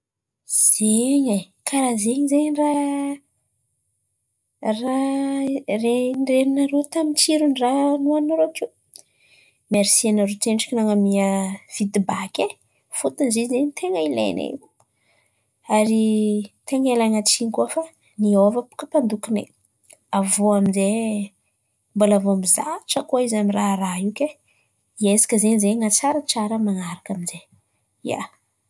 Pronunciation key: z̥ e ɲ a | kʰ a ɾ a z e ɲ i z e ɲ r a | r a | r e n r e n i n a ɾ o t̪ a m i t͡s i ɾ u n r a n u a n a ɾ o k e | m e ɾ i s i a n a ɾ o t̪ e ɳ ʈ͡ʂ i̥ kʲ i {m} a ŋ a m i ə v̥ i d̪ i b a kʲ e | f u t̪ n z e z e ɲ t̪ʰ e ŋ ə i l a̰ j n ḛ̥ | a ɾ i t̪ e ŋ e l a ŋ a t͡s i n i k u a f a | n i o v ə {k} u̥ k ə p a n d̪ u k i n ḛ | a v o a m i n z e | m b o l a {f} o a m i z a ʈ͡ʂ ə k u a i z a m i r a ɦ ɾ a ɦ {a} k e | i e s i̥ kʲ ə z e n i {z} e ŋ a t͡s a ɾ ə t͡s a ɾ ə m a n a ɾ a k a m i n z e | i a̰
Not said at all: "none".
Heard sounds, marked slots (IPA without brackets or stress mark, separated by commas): n, p, v, i, z